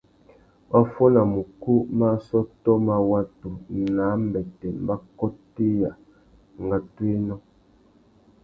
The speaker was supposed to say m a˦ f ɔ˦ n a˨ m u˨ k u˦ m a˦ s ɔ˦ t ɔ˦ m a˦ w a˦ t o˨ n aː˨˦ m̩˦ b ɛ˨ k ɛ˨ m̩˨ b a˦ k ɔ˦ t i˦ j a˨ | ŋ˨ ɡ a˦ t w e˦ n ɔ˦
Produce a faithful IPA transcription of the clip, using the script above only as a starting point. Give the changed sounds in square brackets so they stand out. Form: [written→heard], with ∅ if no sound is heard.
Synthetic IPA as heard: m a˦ f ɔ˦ n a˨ m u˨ k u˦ m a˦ s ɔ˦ t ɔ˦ m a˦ w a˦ t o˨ n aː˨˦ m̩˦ b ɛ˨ [k→t] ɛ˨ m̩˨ b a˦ k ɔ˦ t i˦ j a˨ | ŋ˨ ɡ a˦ t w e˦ n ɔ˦